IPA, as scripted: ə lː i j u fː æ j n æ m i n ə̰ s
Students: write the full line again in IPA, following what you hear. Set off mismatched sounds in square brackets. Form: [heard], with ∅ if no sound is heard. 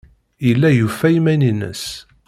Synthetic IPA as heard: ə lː [æ] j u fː æ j [m] æ [n] i n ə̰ s

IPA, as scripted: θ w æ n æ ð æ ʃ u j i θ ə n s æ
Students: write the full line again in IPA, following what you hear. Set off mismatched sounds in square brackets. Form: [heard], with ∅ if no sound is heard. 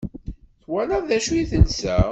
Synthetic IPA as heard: θ w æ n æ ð æ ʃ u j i θ ə n s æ

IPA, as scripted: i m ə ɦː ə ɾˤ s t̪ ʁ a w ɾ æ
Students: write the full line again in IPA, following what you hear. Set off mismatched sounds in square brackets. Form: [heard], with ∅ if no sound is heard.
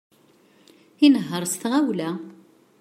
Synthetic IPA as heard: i [n] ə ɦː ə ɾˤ s t̪ ʁ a w [l] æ

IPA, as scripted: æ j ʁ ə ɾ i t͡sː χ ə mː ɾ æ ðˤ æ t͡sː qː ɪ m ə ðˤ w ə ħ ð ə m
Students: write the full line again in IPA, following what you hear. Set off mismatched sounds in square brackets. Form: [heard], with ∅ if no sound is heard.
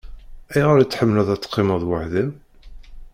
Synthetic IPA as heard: æ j ʁ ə ɾ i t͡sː [ħ] ə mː [l] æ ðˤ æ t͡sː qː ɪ m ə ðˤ w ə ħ ð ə m

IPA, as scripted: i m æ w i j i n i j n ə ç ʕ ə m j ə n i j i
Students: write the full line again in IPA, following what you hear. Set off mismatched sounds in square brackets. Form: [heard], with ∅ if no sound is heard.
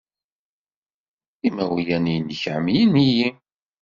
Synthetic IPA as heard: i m æ w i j [æ] n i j n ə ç ʕ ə m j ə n i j i

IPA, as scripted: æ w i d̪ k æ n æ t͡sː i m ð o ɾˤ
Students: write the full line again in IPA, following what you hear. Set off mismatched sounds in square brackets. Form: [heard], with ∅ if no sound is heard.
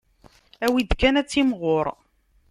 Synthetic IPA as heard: æ w i d̪ k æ n æ t͡sː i m [ʁ] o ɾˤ

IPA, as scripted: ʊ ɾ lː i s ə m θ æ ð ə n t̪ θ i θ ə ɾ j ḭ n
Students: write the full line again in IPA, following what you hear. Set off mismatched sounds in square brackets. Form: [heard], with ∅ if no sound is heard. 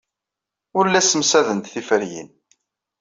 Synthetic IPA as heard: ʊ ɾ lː [æ] s ə m [s] æ ð ə n t̪ θ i [f] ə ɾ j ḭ n

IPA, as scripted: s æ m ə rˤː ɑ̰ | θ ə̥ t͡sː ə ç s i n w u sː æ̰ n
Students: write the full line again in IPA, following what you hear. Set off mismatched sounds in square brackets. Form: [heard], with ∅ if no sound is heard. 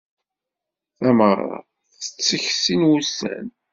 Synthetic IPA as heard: [θ] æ m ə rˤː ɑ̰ | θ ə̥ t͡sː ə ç s i n w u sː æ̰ n

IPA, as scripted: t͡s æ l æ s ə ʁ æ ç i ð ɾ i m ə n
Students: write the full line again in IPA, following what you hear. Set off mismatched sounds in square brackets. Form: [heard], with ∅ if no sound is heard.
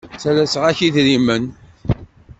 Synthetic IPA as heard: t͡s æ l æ s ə ʁ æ ç i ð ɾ i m ə n

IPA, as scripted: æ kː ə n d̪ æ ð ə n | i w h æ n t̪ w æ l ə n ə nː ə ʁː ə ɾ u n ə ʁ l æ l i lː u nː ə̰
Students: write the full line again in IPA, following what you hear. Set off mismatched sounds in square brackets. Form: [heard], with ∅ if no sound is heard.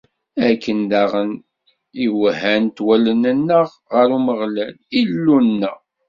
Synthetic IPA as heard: æ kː ə n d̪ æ [ʁ] ə n | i w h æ n t̪ w æ l ə n ə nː ə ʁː ə ɾ u [m] ə ʁ l æ l i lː u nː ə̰

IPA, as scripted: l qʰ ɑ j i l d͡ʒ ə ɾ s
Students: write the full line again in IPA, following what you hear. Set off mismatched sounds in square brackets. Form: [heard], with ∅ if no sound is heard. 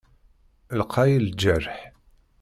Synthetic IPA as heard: l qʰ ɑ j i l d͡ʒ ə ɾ [ħ]

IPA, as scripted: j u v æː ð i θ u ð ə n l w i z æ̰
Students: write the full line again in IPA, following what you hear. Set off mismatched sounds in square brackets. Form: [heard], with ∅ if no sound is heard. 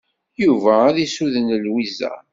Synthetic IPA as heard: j u v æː ð i [s] u ð ə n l w i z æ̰

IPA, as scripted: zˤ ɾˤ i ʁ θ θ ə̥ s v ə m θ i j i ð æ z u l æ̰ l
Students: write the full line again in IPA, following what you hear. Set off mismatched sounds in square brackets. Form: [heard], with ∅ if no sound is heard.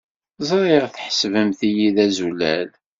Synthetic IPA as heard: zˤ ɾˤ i ʁ θ [ħ] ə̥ s v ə m θ i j i ð æ z u l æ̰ l

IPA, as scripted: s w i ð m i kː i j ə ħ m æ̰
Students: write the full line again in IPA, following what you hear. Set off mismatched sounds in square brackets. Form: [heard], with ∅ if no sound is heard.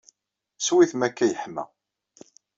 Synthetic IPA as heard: s w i [θ] m [æ] kː [æ] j ə ħ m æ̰

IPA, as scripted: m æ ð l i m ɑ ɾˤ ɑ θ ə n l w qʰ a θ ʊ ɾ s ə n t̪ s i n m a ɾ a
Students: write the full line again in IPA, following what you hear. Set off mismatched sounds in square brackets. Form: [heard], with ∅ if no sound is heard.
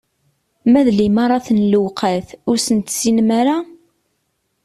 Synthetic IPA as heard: m æ ð l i m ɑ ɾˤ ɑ θ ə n l w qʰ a θ ʊ ɾ s ə n t̪ s i n m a ɾ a

